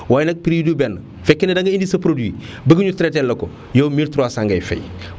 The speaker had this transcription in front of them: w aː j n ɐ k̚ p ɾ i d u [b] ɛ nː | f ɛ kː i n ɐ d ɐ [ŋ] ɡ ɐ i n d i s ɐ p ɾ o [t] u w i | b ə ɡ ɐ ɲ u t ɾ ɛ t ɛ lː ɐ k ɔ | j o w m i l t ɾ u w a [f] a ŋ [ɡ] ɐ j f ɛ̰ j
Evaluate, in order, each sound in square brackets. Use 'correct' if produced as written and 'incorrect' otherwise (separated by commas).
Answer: correct, correct, incorrect, incorrect, correct